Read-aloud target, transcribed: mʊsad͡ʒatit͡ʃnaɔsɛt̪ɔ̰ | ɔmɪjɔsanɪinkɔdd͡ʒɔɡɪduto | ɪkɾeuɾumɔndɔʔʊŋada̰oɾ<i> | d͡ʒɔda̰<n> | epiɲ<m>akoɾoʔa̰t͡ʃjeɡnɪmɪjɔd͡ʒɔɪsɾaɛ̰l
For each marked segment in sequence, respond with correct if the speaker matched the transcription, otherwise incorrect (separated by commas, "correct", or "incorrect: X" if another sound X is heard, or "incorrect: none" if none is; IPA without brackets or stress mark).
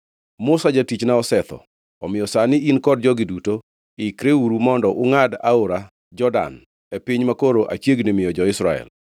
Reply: incorrect: a, correct, correct